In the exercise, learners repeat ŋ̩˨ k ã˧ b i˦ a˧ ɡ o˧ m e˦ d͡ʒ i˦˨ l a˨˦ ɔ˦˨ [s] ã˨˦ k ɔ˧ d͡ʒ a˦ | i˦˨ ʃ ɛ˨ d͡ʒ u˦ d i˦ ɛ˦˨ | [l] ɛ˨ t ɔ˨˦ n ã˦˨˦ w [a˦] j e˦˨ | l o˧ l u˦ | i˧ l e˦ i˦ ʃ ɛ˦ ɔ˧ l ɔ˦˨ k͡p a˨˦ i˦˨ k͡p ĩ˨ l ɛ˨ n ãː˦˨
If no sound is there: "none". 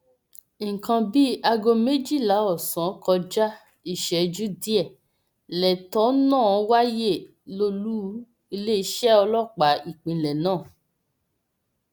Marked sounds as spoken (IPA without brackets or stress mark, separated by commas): s, l, a˦